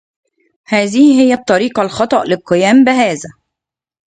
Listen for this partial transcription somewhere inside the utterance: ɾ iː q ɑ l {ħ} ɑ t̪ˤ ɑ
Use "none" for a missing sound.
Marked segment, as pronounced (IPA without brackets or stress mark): x